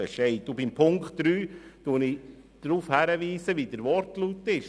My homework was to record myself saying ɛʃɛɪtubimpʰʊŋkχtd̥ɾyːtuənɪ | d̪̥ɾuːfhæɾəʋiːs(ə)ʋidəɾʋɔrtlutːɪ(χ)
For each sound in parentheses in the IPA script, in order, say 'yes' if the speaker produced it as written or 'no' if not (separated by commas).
yes, no